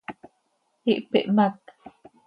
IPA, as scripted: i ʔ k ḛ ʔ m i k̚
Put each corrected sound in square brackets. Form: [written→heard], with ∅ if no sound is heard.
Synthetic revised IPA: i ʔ [k→p] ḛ ʔ m [i→a] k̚